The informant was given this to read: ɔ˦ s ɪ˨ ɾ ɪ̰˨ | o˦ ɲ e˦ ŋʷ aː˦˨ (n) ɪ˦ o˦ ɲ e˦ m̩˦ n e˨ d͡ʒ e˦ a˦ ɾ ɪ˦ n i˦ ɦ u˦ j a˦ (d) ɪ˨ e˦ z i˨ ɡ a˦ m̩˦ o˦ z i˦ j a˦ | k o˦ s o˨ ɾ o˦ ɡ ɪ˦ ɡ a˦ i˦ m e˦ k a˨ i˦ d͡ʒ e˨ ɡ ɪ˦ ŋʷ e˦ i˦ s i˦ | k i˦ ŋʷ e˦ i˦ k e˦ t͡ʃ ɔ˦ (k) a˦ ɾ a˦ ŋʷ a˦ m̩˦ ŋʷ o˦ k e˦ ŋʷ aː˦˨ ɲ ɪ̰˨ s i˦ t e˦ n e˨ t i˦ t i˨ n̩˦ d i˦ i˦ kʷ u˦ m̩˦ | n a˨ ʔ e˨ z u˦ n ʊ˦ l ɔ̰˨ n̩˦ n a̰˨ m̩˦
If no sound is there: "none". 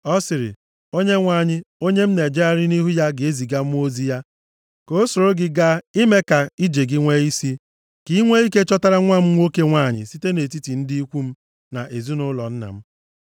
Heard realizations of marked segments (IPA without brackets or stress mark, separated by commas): ɲ, ɡ, t